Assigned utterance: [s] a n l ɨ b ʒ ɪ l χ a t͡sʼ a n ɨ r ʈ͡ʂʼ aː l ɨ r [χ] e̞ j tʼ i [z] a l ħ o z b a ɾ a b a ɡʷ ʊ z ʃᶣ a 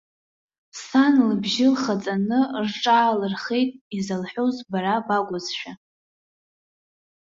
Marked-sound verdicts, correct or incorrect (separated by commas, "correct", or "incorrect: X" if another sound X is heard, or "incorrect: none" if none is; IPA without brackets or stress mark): correct, correct, correct